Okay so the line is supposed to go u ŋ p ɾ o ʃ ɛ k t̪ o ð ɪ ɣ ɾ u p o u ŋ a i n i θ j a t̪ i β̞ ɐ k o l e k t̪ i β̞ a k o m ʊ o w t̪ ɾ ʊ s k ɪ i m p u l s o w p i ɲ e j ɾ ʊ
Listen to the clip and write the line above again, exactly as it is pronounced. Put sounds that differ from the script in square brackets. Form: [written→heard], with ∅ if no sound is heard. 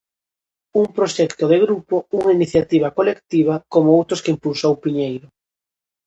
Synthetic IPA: u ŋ p ɾ o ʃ ɛ k t̪ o ð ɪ ɣ ɾ u p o u ŋ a i n i θ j a t̪ i β̞ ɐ k o l e k t̪ i β̞ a k o m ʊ o w t̪ ɾ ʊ s k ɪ i m p u l s o w p i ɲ e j ɾ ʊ

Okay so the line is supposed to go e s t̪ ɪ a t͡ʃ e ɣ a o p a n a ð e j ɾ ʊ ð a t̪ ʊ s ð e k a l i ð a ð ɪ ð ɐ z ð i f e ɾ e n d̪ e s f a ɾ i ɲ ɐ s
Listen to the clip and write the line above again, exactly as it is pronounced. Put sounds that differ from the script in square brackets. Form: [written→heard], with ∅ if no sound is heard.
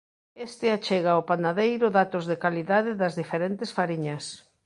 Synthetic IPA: e s t̪ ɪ a t͡ʃ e ɣ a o p a n a ð e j ɾ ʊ ð a t̪ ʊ [s→z] ð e k a l i ð a ð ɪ ð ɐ z ð i f e ɾ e n [d̪→t̪] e s f a ɾ i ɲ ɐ s

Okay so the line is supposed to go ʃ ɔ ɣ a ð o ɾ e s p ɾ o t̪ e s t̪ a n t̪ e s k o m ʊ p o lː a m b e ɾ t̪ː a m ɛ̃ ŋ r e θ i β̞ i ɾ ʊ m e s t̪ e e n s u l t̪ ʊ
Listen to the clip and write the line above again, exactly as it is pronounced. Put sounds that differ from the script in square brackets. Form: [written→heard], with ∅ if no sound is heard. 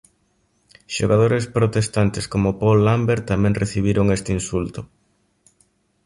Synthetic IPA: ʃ [ɔ→o] ɣ a ð o ɾ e s p ɾ o t̪ e s t̪ a n t̪ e s k o m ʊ p o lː a m b e ɾ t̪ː a m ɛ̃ ŋ r e θ i β̞ i ɾ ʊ [m→ŋ] e s t̪ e [e→i] n s u l t̪ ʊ

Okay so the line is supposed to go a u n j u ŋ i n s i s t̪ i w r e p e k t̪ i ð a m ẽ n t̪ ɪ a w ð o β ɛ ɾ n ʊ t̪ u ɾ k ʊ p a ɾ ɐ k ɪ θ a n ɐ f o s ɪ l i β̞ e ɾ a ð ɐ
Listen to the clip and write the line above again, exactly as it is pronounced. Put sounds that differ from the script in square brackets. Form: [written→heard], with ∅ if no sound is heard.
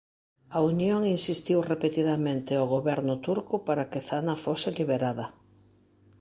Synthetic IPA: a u n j [u→o] ŋ i n s i s t̪ i w r e p e [k→∅] t̪ i ð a m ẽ n t̪ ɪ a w [ð→ɣ] o β ɛ ɾ n ʊ t̪ u ɾ k ʊ p a ɾ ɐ k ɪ θ a n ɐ f o s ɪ l i β̞ e ɾ a ð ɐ

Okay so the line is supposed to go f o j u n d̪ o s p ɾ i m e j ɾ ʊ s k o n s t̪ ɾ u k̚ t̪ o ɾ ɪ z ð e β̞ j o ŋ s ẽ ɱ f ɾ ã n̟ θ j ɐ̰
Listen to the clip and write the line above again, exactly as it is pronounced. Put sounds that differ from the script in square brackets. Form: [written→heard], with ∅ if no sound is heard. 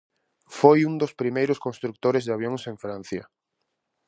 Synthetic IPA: f o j u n d̪ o s p ɾ i m e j ɾ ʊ s k o n s t̪ ɾ u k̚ t̪ o ɾ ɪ z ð [e→a] β̞ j o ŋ s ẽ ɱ f ɾ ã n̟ θ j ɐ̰

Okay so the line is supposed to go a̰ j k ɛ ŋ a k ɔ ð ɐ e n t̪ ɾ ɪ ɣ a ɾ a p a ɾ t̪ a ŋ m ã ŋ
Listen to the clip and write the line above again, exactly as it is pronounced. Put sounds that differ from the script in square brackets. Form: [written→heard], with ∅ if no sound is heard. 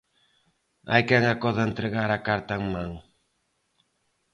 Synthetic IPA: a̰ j k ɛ ŋ a k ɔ ð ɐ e n t̪ ɾ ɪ ɣ a ɾ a [p→k] a ɾ t̪ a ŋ m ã ŋ

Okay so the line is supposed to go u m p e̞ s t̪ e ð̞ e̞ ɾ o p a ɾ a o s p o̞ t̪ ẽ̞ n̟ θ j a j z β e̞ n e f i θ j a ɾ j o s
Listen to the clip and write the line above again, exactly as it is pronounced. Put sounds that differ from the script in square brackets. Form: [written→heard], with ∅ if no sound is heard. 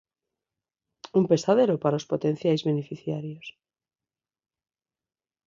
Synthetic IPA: u m p e̞ s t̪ [e→a] ð̞ e̞ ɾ o p a ɾ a o s p o̞ t̪ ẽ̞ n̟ θ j a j z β e̞ n e f i θ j a ɾ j o s

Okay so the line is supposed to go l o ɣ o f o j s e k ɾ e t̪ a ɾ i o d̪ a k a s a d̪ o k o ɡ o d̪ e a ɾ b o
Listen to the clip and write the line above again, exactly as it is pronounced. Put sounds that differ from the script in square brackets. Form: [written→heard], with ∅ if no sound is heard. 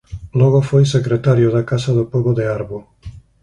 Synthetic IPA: l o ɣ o f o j s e k ɾ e t̪ a ɾ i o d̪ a k a s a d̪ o [k→p] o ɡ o d̪ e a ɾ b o

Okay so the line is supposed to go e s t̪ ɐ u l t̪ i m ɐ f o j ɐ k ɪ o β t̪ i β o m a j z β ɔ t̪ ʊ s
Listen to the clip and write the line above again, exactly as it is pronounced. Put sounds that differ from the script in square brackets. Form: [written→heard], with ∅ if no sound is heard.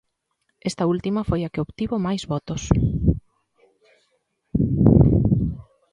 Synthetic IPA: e s t̪ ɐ u l t̪ i m ɐ f o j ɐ k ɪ o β t̪ i β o m a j z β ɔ t̪ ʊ s

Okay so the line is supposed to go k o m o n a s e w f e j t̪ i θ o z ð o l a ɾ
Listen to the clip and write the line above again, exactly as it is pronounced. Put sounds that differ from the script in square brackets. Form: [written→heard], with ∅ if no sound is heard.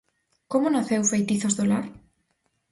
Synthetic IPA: k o m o n a [s→θ] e w f e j t̪ i θ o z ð o l a ɾ

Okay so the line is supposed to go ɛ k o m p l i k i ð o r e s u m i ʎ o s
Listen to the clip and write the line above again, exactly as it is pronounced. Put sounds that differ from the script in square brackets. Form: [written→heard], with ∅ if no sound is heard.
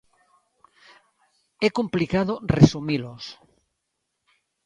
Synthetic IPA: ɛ k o m p l i k [i→a] ð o r e s u m i [ʎ→l] o s

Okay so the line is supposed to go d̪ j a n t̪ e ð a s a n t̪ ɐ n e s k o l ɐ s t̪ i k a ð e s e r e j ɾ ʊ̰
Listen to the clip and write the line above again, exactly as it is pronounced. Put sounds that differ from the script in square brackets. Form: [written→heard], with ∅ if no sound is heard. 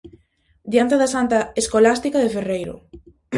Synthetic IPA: d̪ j a n t̪ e ð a s a n t̪ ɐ [n→∅] e s k o l [ɐ→a] s t̪ i k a ð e [s→f] e r e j ɾ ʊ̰

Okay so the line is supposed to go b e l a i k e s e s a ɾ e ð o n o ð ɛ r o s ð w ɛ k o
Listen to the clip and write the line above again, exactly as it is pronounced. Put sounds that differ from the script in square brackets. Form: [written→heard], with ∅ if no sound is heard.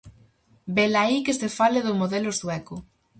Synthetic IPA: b e l a i k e s e [s→f] a [ɾ→l] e ð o [n→m] o ð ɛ [r→l] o s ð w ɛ k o

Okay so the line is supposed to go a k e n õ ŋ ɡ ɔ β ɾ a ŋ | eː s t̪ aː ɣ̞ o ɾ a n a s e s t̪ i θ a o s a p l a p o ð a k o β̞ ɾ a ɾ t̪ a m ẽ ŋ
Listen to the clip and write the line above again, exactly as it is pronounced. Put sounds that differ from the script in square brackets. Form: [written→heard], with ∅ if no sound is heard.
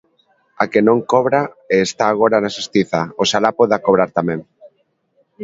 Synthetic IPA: a k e n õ ŋ [ɡ→k] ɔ β ɾ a [ŋ→∅] | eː s t̪ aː ɣ̞ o ɾ a n a s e s t̪ i θ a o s a [p→∅] l a p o ð a k o β̞ ɾ a ɾ t̪ a m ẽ ŋ

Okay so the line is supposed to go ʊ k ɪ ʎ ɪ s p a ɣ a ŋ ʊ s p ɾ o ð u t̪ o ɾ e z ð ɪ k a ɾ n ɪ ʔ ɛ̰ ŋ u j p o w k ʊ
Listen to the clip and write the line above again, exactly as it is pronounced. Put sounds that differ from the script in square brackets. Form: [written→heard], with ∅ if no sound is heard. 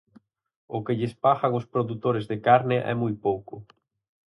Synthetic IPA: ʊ k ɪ ʎ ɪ s p a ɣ a ŋ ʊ s p ɾ o ð u t̪ o ɾ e z ð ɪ k a ɾ n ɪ ʔ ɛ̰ [ŋ→m] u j p o w k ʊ

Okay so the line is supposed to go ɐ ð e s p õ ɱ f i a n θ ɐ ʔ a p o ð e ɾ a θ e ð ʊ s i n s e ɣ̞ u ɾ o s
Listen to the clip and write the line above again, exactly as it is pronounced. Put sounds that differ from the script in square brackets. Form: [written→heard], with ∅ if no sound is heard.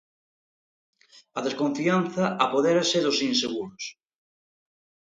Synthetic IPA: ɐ ð e s [p→k] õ ɱ f i a n θ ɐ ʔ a p o ð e ɾ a [θ→s] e ð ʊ s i n s e ɣ̞ u ɾ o s

